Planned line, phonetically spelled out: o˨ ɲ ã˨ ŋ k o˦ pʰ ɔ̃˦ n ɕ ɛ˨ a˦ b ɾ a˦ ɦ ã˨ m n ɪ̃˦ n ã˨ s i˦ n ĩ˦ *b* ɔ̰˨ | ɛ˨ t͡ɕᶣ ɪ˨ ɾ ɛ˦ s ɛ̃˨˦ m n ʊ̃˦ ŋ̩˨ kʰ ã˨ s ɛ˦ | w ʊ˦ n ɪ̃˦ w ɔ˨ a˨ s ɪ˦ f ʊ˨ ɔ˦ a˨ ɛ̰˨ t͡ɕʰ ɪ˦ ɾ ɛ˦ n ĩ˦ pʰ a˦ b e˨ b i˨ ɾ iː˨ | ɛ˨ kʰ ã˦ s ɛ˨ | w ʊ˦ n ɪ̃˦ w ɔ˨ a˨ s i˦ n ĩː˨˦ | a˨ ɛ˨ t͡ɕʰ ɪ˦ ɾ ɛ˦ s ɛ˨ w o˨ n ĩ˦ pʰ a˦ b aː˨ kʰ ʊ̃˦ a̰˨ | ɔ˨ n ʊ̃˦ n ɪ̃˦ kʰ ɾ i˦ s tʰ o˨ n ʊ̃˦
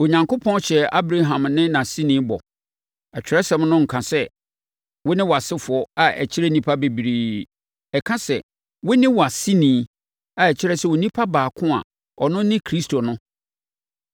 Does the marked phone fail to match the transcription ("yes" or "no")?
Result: no